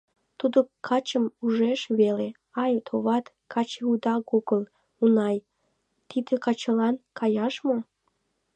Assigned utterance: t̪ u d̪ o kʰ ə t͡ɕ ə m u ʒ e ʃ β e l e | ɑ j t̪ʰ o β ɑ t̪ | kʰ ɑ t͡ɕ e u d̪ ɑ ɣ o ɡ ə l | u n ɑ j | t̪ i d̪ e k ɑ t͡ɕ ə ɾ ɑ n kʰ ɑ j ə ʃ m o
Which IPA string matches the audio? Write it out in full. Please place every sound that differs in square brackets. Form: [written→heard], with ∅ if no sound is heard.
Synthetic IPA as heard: t̪ u d̪ o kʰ [ə→ɑ] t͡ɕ ə m u ʒ e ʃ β e l e | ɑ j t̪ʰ o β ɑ t̪ | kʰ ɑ t͡ɕ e u d̪ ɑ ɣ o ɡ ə l | u n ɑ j | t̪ i d̪ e k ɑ t͡ɕ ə [ɾ→l] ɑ n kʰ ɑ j [ə→ɑ] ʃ m o